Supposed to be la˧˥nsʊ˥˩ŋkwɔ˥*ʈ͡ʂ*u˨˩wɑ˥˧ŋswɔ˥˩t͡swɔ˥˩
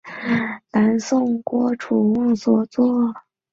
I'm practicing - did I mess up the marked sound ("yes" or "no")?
yes